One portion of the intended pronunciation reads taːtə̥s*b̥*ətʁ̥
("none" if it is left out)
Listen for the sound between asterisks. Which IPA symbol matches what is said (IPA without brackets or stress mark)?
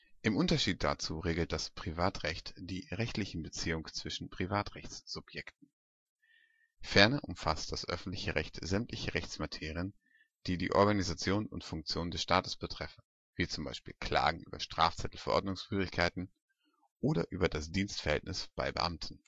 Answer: b̥